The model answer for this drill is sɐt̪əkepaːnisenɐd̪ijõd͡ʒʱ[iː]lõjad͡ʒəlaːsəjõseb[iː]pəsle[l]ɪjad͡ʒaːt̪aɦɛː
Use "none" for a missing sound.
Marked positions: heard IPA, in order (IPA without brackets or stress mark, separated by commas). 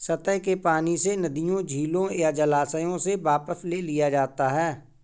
iː, aː, l